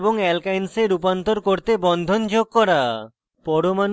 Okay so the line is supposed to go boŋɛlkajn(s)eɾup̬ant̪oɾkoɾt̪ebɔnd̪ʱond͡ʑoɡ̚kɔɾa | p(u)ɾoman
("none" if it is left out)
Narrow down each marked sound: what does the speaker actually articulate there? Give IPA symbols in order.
s, ɔ

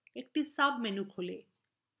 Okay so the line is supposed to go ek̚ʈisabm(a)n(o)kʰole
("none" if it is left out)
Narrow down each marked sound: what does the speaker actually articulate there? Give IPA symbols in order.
e, u

